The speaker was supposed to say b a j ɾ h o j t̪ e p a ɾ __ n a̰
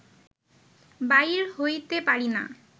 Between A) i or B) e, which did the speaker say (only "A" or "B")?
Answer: A